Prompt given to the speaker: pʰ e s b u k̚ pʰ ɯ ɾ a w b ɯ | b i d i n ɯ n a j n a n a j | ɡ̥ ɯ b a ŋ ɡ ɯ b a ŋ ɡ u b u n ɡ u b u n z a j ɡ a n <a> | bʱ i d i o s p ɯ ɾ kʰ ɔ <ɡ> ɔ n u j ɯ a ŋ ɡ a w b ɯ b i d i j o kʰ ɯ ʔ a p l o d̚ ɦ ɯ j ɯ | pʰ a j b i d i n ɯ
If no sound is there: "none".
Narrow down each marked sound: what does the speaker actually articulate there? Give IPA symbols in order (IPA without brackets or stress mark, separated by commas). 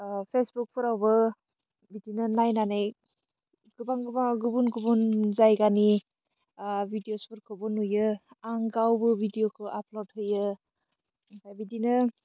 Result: i, b